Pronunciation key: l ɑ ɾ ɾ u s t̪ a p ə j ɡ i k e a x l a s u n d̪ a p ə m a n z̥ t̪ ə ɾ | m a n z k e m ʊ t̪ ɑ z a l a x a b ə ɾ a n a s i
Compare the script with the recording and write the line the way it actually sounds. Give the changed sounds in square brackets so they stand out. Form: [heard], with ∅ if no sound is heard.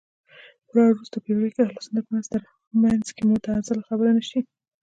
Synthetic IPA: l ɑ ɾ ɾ u s t̪ a p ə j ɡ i k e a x l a s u n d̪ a p ə m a n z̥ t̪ ə ɾ | m a n z k e m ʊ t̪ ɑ z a l a x a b ə ɾ a n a [ʃ] i